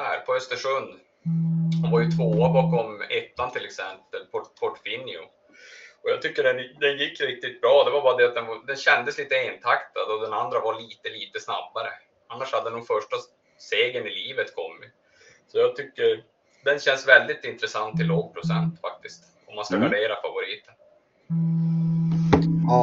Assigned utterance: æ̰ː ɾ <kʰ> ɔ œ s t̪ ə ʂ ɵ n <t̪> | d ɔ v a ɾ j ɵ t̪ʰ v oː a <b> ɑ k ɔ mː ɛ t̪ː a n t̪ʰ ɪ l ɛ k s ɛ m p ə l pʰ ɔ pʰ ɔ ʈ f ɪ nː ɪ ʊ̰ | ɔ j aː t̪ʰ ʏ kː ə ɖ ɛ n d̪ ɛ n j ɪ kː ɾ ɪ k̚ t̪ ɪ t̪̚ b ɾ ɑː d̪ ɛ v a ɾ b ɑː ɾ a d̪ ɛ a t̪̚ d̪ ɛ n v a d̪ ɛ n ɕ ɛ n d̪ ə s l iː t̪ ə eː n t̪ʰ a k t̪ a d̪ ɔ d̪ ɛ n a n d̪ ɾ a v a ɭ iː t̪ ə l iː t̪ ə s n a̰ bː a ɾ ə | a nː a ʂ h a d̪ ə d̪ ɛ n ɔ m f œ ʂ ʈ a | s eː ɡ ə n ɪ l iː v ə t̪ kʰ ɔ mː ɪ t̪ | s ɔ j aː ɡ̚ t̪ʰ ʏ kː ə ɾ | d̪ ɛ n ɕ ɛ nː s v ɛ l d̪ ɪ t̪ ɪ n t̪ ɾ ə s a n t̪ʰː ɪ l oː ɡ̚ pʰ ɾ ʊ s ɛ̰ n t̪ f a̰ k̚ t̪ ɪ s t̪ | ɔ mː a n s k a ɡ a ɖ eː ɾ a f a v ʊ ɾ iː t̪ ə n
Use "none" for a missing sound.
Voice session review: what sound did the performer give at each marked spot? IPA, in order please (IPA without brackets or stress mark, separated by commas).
pʰ, d̪, b